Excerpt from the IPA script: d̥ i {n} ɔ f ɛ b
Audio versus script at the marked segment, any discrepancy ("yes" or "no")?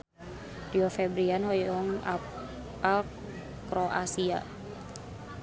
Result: yes